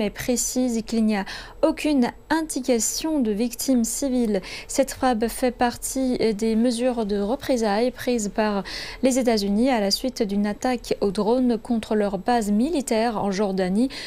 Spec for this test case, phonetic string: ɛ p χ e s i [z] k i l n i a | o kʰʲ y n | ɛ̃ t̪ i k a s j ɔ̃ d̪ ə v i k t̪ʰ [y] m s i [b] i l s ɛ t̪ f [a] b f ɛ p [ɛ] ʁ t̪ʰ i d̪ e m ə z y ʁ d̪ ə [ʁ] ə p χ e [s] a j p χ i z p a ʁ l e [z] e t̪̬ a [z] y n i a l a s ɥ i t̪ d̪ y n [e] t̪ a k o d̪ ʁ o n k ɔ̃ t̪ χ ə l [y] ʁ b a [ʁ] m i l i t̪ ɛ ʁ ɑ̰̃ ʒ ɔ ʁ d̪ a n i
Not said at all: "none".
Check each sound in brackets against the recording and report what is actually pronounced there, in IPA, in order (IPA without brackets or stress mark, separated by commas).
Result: z, i, v, a, a, ʁ, z, z, z, a, œ, z